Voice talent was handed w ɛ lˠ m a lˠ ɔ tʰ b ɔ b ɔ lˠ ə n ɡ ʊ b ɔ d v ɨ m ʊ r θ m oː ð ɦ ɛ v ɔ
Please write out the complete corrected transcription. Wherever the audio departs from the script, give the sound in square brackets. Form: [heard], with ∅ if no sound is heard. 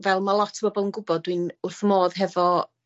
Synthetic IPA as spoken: [v] ɛ lˠ m a lˠ ɔ tʰ b ɔ b ɔ lˠ ə n ɡ ʊ b ɔ d [w] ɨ [n] ʊ r θ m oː ð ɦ ɛ v ɔ